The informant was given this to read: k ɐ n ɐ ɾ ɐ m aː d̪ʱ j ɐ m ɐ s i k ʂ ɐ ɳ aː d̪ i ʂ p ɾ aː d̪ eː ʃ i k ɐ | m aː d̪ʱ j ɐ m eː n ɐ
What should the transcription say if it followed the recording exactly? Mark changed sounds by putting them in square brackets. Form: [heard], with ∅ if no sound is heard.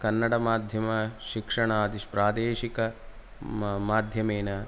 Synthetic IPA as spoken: k ɐ [nː] ɐ [ɽ] ɐ m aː d̪ʱ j ɐ m ɐ [ʃ] i k ʂ ɐ ɳ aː d̪ i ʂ p ɾ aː d̪ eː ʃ i k ɐ | m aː d̪ʱ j ɐ m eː n ɐ